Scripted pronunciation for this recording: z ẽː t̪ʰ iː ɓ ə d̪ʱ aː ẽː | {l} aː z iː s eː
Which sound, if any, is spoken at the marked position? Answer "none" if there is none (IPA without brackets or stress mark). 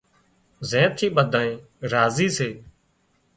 ɾ